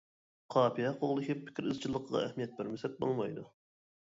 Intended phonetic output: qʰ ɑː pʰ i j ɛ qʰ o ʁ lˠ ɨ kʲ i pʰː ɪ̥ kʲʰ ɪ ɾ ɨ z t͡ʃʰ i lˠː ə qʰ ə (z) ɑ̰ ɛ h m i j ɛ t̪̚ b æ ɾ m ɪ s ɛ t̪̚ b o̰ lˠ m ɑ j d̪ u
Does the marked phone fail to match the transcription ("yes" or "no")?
yes